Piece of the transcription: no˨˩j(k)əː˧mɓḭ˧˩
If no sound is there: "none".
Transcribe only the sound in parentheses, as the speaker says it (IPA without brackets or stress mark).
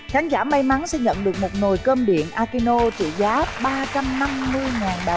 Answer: k